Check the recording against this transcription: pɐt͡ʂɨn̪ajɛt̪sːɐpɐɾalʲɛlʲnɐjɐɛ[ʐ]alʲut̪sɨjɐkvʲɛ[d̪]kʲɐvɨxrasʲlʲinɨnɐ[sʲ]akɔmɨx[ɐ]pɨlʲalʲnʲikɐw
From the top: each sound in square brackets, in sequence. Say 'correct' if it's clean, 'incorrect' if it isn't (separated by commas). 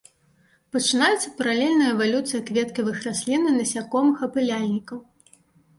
incorrect, incorrect, correct, correct